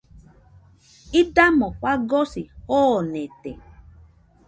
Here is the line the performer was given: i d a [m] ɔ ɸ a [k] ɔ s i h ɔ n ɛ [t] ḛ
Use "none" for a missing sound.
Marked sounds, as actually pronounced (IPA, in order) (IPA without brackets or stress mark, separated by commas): m, ɡ, t